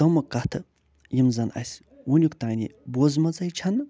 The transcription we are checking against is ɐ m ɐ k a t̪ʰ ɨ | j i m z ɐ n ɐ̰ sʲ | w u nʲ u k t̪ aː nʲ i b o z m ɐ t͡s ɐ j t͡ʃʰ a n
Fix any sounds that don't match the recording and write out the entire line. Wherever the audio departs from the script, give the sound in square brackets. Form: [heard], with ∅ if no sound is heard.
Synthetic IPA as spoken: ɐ m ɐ k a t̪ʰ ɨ | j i m z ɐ n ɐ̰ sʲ | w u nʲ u k t̪ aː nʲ i b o z m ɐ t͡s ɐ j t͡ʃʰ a n